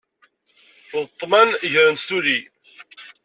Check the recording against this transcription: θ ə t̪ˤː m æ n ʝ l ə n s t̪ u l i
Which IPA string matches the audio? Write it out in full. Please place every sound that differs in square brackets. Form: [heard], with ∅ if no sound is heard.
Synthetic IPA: [ð] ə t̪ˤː m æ n ʝ [ɾ] ə n s t̪ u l i